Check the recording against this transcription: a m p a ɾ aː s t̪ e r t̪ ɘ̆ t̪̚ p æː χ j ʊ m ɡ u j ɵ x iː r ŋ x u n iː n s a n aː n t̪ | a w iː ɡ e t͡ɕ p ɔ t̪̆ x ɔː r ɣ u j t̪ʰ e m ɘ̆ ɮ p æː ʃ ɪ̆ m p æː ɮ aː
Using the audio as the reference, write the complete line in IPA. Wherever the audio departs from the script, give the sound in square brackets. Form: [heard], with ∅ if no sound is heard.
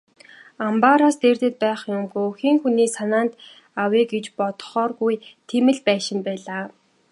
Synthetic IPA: a m p a ɾ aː s t̪ e r t̪ ɘ̆ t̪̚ p æː χ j ʊ m ɡ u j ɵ x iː [∅] ŋ x u n iː [∅] s a n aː n t̪ | a w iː ɡ e t͡ɕ p ɔ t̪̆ [χ] ɔː r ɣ u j t̪ʰ e m ɘ̆ ɮ p æː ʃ ɪ̆ m p æː ɮ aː